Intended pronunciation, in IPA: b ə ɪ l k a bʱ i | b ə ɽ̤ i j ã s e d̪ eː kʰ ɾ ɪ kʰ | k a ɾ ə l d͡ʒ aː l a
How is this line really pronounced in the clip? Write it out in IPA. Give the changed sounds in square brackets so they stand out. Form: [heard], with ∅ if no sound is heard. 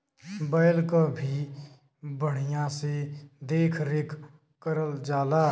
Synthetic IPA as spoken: b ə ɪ l k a bʱ i | b ə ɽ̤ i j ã s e d̪ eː kʰ ɾ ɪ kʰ | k [ə] ɾ ə l d͡ʒ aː l a